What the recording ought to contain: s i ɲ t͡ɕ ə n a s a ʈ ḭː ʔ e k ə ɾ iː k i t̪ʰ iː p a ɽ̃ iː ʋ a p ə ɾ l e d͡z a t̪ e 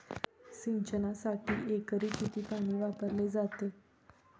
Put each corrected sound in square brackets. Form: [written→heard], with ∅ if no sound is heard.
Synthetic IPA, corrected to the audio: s i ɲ t͡ɕ ə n a s a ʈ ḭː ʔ e k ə ɾ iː k i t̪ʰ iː p a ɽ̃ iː ʋ a p ə ɾ l e d͡z a t̪ e